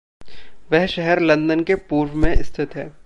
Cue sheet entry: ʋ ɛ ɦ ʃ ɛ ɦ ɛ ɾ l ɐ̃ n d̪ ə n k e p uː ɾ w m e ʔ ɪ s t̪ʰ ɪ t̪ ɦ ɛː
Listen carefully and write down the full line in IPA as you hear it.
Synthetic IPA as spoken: ʋ ɛ ɦ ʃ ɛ ɦ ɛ ɾ l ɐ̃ n d̪ ə n k e p uː ɾ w m ẽ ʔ ɪ s t̪ʰ ɪ t̪ ɦ ɛː